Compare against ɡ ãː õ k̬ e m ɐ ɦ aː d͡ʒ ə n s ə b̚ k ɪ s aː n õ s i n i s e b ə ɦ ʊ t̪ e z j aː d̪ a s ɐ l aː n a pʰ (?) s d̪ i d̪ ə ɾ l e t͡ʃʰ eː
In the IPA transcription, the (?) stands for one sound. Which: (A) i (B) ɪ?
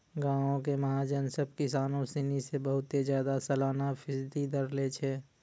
B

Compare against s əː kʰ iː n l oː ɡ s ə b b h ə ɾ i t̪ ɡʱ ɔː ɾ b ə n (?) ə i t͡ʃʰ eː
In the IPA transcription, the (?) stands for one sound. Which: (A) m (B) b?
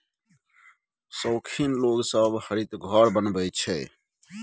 B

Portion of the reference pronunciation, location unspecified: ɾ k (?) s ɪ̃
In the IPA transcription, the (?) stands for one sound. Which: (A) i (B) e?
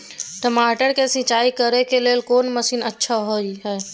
B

